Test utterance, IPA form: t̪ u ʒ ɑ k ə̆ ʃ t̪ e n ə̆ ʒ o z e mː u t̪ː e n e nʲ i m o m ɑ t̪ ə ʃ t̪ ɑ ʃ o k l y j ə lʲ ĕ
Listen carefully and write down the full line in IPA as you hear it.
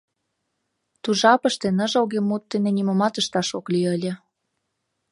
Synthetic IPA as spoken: t̪ u ʒ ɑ p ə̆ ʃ t̪ e n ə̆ ʒ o ɣ e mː u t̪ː e n e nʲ i m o m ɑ t̪ ə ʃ t̪ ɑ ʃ o k l y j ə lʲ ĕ